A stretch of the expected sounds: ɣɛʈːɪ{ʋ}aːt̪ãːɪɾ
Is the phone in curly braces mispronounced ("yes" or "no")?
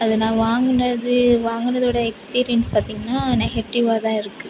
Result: no